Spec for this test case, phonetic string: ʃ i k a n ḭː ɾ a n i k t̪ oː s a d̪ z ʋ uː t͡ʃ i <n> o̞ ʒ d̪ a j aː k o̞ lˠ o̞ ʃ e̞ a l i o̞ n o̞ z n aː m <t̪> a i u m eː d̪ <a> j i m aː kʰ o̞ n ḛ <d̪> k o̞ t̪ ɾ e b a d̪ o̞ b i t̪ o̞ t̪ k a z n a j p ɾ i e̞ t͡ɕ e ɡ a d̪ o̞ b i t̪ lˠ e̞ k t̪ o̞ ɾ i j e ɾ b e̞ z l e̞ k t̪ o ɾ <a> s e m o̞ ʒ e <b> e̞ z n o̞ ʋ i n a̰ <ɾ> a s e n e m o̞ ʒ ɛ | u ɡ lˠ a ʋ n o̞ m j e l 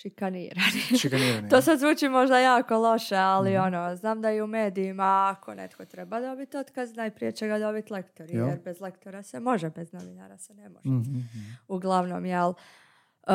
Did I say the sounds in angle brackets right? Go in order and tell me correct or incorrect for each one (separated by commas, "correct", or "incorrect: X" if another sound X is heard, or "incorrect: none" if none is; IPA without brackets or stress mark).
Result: incorrect: m, incorrect: d̪, incorrect: i, incorrect: t̪, correct, correct, correct